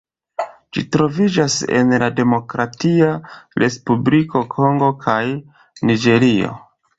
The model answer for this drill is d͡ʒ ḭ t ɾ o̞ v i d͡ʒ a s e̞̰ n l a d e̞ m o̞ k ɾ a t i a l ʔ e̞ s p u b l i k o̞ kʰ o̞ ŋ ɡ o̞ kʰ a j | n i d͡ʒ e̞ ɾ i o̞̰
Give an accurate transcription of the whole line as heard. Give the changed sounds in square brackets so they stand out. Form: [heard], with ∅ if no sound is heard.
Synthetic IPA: d͡ʒ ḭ t ɾ o̞ v i d͡ʒ a s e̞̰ n l a d e̞ m o̞ k ɾ a t i a [ɾ] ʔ e̞ s p u b l i k o̞ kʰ o̞ ŋ ɡ o̞ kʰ a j | n i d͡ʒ e̞ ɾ i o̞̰

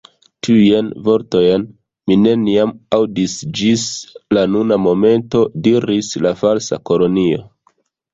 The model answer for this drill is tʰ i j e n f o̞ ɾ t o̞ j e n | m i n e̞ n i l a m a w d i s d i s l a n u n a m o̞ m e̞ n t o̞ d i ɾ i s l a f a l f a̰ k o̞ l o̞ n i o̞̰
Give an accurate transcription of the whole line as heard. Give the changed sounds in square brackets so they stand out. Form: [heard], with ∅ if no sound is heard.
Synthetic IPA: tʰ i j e n [v] o̞ ɾ t o̞ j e n | m i n e̞ n i [∅] a m a w d i s [d͡ʒ] i s l a n u n a m o̞ m e̞ n t o̞ d i ɾ i s l a f a l [s] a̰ k o̞ l o̞ n i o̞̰

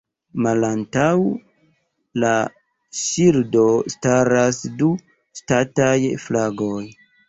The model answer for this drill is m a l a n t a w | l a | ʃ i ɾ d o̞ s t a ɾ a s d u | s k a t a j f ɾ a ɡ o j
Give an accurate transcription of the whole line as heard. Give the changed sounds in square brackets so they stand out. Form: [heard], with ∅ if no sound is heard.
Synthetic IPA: m a l a n t a w | l a | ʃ i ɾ d o̞ s t a ɾ a s d u | s [t] a t a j f [l] a ɡ o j

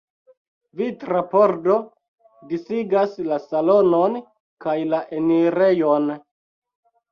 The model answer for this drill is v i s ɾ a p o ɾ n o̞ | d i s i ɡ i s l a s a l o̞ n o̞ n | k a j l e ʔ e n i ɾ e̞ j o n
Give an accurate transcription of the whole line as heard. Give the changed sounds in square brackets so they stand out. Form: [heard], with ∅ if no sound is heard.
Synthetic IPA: v i [t] ɾ a p o ɾ [d] o̞ | d i s i ɡ [a] s l a s a l o̞ n o̞ n | k a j l [a] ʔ e n i ɾ e̞ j o n

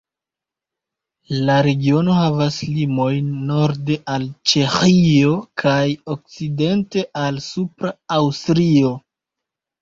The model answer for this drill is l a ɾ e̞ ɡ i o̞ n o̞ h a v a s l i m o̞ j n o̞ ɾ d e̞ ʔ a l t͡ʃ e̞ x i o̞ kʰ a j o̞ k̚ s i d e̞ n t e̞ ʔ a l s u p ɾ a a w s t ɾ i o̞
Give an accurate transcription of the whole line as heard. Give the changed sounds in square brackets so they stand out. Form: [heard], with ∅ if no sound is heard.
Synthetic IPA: l a ɾ e̞ ɡ i o̞ n o̞ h a v a s l i m o̞ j [nː] o̞ ɾ d e̞ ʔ a l t͡ʃ e̞ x i o̞ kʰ a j o̞ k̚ [t͡s] i d e̞ n t e̞ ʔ a l s u p ɾ a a w s t ɾ i o̞

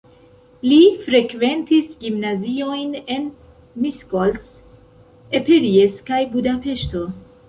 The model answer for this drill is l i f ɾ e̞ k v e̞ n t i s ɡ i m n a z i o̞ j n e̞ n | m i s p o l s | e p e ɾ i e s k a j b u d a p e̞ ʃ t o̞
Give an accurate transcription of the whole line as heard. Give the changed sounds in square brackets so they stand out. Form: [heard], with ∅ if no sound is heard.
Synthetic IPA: l i f ɾ e̞ k v e̞ n t i s ɡ i m n a z i o̞ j n e̞ n | m i s [k] o l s | e p e ɾ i e s k a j b u d a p e̞ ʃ t o̞

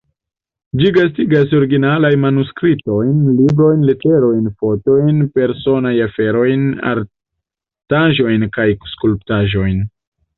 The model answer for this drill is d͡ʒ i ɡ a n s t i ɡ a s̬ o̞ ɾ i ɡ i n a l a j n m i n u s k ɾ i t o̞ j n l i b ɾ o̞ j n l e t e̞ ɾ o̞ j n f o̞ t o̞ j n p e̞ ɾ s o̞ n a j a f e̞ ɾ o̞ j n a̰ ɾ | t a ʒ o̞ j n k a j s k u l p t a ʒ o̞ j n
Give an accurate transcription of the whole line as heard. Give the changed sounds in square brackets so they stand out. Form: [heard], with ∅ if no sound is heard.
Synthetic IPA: d͡ʒ i ɡ a [∅] s t i ɡ a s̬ o̞ ɾ i ɡ i n a l a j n m [a] n u s k ɾ i t o̞ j n l i b ɾ o̞ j n l e t e̞ ɾ o̞ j n f o̞ t o̞ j n p e̞ ɾ s o̞ n a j a f e̞ ɾ o̞ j n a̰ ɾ | t a ʒ o̞ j n k a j s k u l p t a ʒ o̞ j n

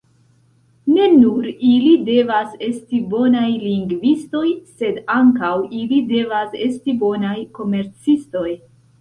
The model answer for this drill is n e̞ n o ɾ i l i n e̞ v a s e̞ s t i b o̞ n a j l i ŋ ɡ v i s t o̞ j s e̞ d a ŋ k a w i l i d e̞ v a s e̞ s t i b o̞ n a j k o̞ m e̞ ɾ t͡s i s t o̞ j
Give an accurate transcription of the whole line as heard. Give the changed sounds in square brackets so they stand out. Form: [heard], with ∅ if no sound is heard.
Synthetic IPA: n e̞ n [u] ɾ i l i [d] e̞ v a s e̞ s t i b o̞ n a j l i ŋ ɡ v i s t o̞ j s e̞ d a ŋ k a w i l i d e̞ v a s e̞ s t i b o̞ n a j k o̞ m e̞ ɾ t͡s i s t o̞ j

